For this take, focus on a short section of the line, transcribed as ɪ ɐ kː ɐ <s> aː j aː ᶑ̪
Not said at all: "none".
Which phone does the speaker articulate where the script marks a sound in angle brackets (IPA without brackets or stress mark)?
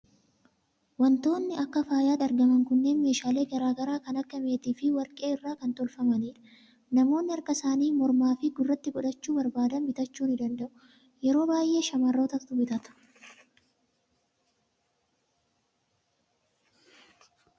f